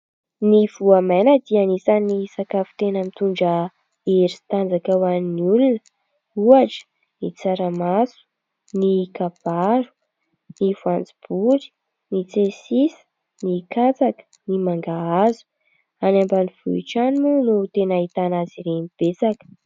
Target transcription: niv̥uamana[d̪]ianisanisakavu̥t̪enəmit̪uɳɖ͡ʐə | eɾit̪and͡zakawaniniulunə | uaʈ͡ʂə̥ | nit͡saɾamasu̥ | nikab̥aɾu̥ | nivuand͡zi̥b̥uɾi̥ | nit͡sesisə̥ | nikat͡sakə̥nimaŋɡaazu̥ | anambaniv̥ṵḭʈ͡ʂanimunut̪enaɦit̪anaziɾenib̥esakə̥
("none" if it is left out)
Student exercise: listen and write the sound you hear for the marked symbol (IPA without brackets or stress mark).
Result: d̪